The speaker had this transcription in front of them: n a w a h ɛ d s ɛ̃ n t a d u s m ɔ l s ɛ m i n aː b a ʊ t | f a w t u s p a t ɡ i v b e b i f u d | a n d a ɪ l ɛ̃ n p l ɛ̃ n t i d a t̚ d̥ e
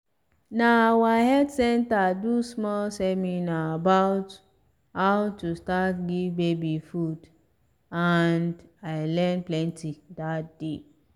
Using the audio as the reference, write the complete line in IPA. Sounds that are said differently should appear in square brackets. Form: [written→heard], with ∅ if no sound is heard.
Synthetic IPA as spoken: n a w a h ɛ d s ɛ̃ n t a d u s m ɔ l s ɛ m i n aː b a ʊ t | [f→h] a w t u s [p→t] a t ɡ i v b e b i f u d | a n d a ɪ l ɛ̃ n p l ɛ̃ n t i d a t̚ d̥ e